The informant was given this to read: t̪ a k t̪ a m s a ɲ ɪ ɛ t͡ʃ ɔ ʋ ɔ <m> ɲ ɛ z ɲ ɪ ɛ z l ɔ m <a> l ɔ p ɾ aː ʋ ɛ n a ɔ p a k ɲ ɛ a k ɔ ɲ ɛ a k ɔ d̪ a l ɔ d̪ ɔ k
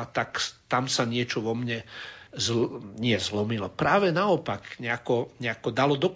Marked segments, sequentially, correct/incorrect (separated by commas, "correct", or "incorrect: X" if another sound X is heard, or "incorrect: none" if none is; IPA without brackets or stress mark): correct, incorrect: i